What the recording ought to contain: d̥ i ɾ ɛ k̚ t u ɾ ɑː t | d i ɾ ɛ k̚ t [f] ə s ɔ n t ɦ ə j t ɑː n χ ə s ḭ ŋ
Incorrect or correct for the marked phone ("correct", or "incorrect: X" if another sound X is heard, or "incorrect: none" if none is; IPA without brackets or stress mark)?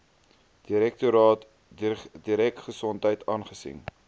incorrect: χ